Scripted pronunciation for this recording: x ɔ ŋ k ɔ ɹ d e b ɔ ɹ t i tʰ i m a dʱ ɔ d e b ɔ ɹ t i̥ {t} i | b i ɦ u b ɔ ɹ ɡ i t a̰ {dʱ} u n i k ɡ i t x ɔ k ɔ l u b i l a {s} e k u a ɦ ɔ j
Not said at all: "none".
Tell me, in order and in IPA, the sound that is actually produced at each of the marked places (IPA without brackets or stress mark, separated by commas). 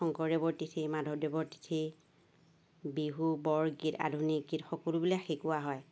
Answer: tʰ, dʱ, x